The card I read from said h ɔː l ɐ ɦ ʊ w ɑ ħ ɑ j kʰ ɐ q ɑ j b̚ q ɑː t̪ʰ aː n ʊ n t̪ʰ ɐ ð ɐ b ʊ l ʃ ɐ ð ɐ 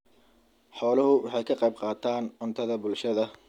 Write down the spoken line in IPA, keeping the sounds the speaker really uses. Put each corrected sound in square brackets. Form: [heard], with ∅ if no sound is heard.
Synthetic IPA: [ħ] ɔː l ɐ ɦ ʊ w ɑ ħ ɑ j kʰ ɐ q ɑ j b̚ q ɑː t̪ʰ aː n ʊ n t̪ʰ ɐ ð ɐ b ʊ l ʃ ɐ ð ɐ